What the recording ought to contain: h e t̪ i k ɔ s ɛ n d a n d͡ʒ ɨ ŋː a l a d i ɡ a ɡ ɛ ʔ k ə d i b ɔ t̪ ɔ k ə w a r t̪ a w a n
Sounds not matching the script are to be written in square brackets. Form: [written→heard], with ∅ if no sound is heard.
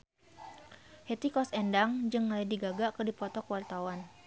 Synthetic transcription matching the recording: h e t̪ i k ɔ s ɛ n d a [n→ŋ] d͡ʒ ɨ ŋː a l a d i ɡ a ɡ [ɛ→a] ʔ k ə d i [b→p] ɔ t̪ ɔ k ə w a r t̪ a w a n

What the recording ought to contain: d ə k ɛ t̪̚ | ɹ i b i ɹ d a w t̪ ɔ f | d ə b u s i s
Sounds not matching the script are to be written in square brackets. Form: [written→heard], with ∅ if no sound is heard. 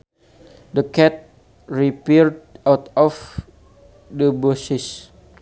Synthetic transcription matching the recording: d ə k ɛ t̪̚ | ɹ i [b→p] i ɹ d a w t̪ ɔ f | d ə b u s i s

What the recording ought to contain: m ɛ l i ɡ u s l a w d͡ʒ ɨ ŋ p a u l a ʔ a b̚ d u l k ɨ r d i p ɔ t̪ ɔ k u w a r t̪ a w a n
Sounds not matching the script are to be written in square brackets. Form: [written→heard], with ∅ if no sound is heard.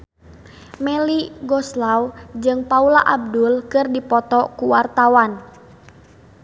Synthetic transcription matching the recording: m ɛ l i ɡ [u→ɔ] s l a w d͡ʒ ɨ ŋ p a u l a ʔ a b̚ d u l k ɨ r d i p ɔ t̪ ɔ k u w a r t̪ a w a n

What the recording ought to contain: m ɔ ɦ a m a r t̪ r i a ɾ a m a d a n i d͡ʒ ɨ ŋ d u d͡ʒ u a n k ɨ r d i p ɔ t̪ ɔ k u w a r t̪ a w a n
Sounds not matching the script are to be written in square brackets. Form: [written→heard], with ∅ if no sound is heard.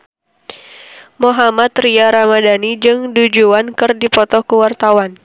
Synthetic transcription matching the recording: m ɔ ɦ a m a [r→∅] t̪ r i a ɾ a m a d a n i d͡ʒ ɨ ŋ d u d͡ʒ u a n k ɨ r d i p ɔ t̪ ɔ k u w a r t̪ a w a n

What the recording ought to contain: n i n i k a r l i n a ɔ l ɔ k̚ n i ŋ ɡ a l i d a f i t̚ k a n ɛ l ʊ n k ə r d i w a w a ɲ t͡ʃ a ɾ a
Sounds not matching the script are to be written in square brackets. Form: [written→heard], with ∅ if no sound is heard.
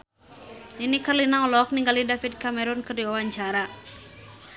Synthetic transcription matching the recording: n i n i k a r l i n a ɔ l ɔ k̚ n i ŋ ɡ a l i d a f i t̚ k a [n→m] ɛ [l→ɾ] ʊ n k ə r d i w a w a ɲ t͡ʃ a ɾ a

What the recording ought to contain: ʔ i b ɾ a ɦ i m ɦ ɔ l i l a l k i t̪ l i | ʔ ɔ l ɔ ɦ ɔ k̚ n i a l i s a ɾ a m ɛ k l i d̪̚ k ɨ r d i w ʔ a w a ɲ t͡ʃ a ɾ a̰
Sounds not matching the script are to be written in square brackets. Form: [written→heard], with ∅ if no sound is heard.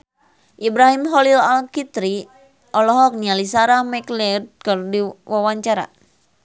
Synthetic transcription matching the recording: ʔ i b ɾ a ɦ i m ɦ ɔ l i l a l k i t̪ [l→ɾ] i | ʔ ɔ l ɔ ɦ ɔ k̚ n i a l i s a ɾ a m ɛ k l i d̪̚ k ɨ r d i w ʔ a w a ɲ t͡ʃ a ɾ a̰

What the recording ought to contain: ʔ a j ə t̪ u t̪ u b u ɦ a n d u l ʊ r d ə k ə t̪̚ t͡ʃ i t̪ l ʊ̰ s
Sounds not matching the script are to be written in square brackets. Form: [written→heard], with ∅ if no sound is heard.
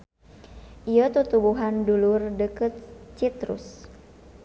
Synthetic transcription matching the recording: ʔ [a→i] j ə t̪ u t̪ u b u ɦ a n d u l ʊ r d ə k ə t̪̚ t͡ʃ i t̪ [l→ɾ] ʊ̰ s

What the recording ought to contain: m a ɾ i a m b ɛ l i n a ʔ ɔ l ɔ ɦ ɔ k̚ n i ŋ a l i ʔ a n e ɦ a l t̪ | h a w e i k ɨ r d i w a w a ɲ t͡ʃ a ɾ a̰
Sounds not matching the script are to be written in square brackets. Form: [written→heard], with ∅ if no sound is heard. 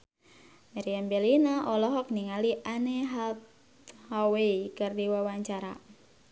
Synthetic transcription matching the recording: m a ɾ i a m b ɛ l i n a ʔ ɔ l ɔ ɦ ɔ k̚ n i ŋ a l i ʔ a n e ɦ a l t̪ | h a w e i k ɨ r d i w a w a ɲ t͡ʃ a ɾ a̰

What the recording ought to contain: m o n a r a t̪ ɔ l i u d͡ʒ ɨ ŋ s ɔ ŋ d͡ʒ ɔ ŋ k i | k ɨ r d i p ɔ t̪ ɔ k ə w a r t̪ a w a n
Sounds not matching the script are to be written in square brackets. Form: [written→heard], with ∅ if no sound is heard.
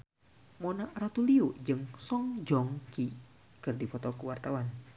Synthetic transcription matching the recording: m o n a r a t̪ [ɔ→u] l i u d͡ʒ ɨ ŋ s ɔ ŋ d͡ʒ ɔ ŋ k i | k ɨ r d i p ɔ t̪ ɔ k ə w a r t̪ a w a n

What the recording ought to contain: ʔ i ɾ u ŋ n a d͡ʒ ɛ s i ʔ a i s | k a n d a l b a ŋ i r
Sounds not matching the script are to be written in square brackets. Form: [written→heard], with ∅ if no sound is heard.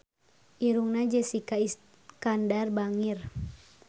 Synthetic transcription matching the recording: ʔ i ɾ u ŋ n a d͡ʒ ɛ s i [ʔ→k] a i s | k a n d a [l→r] b a ŋ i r

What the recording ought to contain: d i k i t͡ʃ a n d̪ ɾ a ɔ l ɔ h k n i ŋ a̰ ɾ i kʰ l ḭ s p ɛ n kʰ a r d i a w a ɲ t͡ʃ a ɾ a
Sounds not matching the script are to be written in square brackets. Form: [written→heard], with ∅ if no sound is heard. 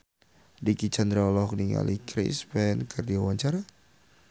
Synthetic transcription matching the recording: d i k i t͡ʃ a n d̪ ɾ a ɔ l ɔ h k n i ŋ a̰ [ɾ→l] i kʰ [l→ɾ] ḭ s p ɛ n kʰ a r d i a w a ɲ t͡ʃ a ɾ a

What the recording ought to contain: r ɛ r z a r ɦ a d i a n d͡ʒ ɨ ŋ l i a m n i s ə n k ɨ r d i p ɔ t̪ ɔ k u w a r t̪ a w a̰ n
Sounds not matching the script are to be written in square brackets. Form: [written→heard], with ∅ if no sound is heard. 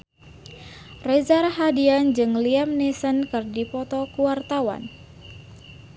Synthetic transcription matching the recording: r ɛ [r→∅] z a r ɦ a d i a n d͡ʒ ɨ ŋ l i a m n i s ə n k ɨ r d i p ɔ t̪ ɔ k u w a r t̪ a w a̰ n

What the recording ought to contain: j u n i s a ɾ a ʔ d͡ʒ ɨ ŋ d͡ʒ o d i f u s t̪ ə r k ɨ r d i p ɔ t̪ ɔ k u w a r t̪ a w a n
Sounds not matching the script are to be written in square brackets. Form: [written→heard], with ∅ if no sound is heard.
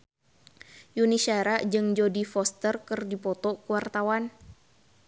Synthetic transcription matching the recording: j u n i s a ɾ a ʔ d͡ʒ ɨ ŋ d͡ʒ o d i f [u→ɔ] s t̪ ə r k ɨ r d i p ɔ t̪ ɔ k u w a r t̪ a w a n

